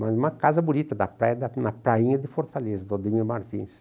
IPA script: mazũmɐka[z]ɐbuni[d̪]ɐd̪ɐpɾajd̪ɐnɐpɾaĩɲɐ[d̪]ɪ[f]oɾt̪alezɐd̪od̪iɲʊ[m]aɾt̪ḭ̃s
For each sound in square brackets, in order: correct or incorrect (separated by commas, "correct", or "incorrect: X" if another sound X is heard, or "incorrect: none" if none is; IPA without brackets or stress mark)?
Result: correct, incorrect: t̪, correct, correct, correct